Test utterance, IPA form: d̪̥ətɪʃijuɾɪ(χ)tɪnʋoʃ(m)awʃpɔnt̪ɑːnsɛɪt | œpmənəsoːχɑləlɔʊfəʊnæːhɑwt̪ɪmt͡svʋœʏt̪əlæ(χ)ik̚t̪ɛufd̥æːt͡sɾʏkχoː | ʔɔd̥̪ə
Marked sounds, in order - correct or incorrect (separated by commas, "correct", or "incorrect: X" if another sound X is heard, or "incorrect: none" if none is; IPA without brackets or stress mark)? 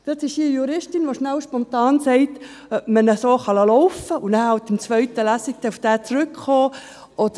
incorrect: ʃ, incorrect: n, incorrect: s